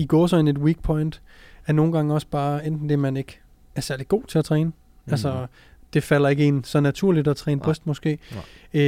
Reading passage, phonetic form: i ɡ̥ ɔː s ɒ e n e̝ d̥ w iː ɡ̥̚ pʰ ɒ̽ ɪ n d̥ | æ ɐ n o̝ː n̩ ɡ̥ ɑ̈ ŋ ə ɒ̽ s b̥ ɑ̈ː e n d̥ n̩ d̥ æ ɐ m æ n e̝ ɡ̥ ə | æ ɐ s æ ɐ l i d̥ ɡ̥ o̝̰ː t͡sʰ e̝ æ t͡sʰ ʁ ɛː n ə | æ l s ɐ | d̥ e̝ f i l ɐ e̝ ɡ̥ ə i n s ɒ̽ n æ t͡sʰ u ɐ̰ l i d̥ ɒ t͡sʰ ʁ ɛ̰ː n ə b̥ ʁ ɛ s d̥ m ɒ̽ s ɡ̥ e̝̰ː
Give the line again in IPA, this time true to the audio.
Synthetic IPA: i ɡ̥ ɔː s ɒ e n e̝ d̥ w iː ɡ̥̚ pʰ ɒ̽ ɪ n d̥ | æ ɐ n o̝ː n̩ ɡ̥ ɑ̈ ŋ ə ɒ̽ s b̥ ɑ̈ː e n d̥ n̩ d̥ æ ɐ m æ n e̝ ɡ̥ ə | æ ɐ s æ ɐ l i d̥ ɡ̥ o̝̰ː t͡sʰ e̝ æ t͡sʰ ʁ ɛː n ə | æ l s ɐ | d̥ e̝ f æ l ɐ e̝ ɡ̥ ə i n s ɒ̽ n æ t͡sʰ u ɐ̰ l i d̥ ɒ t͡sʰ ʁ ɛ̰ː n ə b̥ ʁ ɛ s d̥ m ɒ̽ s ɡ̥ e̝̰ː